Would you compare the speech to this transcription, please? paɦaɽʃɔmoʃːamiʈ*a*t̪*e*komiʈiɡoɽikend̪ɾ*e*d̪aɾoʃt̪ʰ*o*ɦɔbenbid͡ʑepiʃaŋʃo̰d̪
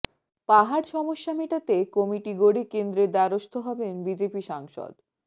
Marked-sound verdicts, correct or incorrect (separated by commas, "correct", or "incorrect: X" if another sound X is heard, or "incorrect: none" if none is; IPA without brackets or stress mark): correct, correct, correct, correct